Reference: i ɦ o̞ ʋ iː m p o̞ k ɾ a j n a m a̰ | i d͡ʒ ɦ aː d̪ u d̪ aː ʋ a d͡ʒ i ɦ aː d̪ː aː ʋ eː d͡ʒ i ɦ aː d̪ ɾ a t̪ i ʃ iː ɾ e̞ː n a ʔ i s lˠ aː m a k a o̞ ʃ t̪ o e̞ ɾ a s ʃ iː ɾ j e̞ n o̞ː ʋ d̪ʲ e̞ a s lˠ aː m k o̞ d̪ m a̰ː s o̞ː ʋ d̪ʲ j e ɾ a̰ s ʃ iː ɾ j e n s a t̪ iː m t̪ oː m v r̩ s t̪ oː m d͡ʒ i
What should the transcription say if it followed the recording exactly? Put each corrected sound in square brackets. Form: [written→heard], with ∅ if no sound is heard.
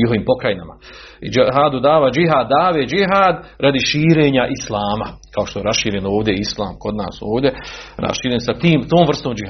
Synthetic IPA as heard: i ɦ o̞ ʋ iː m p o̞ k ɾ a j n a m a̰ | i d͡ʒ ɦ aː d̪ u d̪ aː ʋ a d͡ʒ i ɦ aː d̪ː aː ʋ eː d͡ʒ i ɦ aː d̪ ɾ a [t̪→d̪] i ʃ iː ɾ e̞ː [n→ɲ] a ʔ i s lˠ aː m a k a o̞ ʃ t̪ o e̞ ɾ a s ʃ iː ɾ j e̞ n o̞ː ʋ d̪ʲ e̞ [a→i] s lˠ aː m k o̞ d̪ [m→n] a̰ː s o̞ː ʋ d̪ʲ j e ɾ a̰ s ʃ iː ɾ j e n s a t̪ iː m t̪ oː m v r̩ s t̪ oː m d͡ʒ i